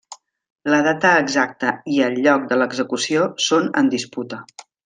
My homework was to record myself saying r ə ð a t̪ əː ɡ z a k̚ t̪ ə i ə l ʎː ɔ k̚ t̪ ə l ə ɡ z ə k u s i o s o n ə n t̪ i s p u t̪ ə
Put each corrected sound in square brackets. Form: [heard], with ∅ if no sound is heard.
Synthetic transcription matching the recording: [l] ə ð a t̪ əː ɡ z a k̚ t̪ ə i ə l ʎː ɔ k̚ [d̪] ə l ə ɡ z ə k u s i o s o n ə n [d̪] i s p u t̪ ə